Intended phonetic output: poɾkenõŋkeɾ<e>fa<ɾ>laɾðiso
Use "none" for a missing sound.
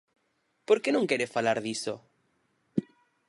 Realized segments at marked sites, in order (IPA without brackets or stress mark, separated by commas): e, none